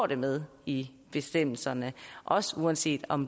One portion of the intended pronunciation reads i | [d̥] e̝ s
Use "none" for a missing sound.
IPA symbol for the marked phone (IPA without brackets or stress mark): b̥